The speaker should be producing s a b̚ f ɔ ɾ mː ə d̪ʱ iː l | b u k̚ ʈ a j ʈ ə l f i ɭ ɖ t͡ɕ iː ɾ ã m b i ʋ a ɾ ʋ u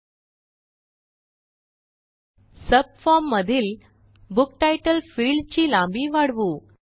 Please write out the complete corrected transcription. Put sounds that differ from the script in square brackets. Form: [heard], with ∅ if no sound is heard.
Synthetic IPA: s [ə] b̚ f ɔ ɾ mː ə d̪ʱ iː l | b u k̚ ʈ a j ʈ ə l f i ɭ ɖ t͡ɕ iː [l] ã m b i ʋ a [ɽ] ʋ u